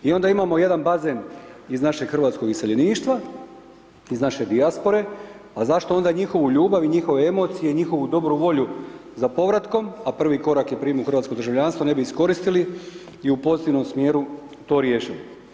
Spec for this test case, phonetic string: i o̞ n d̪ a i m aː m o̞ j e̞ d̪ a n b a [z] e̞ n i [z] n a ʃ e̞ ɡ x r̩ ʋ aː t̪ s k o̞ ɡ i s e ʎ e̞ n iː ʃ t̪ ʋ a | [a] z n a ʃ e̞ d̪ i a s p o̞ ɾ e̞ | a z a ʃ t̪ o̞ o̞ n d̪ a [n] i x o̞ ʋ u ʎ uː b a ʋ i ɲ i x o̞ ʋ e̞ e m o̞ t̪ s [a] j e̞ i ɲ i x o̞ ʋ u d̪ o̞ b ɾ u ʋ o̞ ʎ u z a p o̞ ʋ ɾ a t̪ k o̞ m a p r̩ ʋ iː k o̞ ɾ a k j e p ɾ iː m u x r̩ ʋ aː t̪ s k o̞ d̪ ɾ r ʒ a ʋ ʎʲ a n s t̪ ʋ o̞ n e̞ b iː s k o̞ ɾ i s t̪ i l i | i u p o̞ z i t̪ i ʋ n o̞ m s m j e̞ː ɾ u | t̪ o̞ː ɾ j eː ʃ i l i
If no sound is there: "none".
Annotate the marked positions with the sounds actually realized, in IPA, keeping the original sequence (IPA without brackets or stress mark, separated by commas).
z, z, i, ɲ, i